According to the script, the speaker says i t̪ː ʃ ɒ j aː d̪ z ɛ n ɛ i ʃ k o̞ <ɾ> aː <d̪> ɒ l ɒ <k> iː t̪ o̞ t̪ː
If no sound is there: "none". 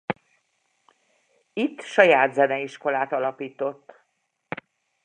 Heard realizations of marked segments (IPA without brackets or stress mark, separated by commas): l, t̪, p